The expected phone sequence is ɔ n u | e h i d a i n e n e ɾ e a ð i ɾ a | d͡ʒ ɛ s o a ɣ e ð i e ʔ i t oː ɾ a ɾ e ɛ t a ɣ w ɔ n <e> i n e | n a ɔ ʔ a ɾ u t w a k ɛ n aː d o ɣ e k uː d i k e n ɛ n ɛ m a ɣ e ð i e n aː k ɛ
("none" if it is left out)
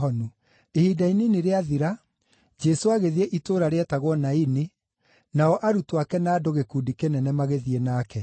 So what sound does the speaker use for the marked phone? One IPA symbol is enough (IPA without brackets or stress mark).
a